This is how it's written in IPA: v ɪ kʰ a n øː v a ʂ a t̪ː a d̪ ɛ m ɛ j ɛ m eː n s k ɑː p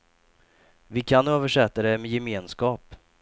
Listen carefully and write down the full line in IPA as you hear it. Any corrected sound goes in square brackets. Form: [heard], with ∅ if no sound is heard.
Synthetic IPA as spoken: v ɪ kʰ a n øː v [ə] ʂ [ɛ] t̪ː a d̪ ɛ m ɛ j ɛ m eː n s k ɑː p